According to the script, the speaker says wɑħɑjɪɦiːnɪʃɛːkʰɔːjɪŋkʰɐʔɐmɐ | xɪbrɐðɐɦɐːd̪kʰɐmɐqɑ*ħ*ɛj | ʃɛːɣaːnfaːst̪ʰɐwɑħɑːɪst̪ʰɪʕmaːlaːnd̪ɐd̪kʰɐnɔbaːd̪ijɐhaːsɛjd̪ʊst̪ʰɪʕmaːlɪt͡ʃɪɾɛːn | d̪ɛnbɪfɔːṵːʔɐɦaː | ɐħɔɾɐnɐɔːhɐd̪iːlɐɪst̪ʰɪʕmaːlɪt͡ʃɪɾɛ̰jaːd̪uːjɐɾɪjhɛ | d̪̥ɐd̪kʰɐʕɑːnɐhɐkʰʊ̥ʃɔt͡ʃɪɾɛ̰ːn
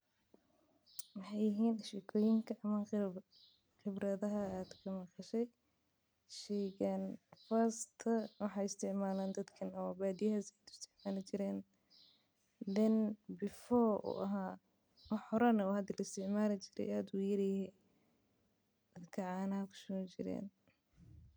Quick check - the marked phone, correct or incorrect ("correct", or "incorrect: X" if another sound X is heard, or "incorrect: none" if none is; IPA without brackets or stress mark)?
incorrect: ʃ